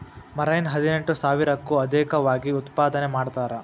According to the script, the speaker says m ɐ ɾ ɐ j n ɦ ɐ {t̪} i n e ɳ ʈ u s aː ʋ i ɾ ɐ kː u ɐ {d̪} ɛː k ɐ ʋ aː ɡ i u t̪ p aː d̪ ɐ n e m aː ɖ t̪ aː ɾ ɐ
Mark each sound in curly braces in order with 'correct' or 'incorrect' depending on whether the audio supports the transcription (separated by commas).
incorrect, correct